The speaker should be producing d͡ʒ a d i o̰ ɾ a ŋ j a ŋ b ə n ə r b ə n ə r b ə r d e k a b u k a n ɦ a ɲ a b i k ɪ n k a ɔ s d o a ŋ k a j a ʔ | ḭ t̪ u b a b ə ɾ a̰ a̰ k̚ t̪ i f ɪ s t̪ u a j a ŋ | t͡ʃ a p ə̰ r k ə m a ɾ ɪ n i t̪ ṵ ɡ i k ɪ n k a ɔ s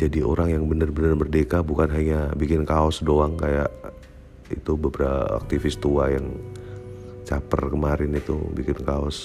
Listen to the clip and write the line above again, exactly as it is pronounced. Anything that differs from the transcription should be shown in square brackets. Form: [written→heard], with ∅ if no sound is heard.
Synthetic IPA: d͡ʒ a d i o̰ ɾ a ŋ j a ŋ b ə n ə r b ə n ə r b ə r d e k a b u k a n ɦ a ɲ a b i k ɪ n k a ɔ s d o a ŋ k a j a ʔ | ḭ t̪ u b [a→ə] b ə ɾ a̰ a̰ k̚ t̪ i f ɪ s t̪ u a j a ŋ | t͡ʃ a p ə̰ r k ə m a ɾ ɪ n i t̪ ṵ [ɡ→b] i k ɪ n k a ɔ s